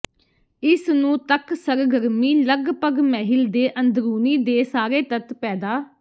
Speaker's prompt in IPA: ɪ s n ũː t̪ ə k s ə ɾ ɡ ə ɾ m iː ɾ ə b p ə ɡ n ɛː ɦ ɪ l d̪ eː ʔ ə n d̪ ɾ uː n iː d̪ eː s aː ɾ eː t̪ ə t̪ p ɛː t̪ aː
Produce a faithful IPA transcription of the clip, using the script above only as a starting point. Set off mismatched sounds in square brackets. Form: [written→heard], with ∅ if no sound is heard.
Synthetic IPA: ɪ s n ũː t̪ ə k s ə ɾ ɡ ə ɾ m iː [ɾ→l] ə [b→ɡ] p ə ɡ [n→m] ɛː ɦ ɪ l d̪ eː ʔ ə n d̪ ɾ uː n iː d̪ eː s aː ɾ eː t̪ ə t̪ p ɛː [t̪→d̪] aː